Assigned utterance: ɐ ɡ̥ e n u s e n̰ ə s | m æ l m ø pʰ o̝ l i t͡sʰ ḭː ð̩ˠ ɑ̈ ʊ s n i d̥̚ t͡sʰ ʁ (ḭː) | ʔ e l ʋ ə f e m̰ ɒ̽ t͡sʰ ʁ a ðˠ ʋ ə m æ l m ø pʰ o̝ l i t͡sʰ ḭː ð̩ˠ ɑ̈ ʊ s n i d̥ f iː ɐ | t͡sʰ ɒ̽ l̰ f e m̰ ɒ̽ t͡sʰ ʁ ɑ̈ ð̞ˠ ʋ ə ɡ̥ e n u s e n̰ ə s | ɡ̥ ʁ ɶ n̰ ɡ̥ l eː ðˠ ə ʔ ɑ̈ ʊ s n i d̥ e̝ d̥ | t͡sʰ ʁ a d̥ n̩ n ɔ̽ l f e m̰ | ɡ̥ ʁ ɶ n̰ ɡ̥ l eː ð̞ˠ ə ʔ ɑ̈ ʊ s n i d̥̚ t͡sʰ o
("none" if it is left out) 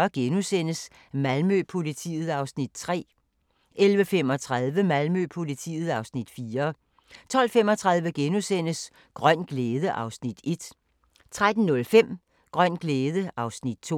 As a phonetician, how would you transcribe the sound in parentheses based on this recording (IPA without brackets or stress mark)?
ɛ̰ː